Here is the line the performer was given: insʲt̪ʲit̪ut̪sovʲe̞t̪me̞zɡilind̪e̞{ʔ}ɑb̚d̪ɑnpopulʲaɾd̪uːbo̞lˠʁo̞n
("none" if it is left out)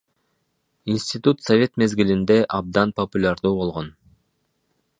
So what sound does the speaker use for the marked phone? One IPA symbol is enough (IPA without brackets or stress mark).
ʔ